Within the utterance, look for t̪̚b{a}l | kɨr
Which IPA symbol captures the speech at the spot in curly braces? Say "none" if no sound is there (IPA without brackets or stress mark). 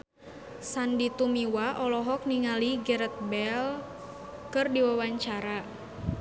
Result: ɛ